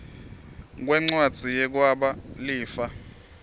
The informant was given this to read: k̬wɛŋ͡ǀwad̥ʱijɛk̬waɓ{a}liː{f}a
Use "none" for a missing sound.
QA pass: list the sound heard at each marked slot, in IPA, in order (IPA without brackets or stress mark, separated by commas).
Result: a, f